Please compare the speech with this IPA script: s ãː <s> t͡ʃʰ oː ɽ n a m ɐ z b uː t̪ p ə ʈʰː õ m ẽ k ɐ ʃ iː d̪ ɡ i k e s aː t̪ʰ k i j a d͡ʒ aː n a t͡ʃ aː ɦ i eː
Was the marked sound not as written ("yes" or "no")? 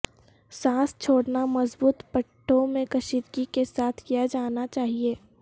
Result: no